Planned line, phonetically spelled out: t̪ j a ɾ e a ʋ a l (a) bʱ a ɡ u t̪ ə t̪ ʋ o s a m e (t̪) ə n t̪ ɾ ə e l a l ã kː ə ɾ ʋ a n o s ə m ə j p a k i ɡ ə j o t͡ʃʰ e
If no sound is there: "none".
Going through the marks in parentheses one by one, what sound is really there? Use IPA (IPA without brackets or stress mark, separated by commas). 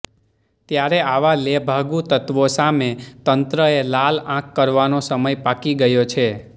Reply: e, t̪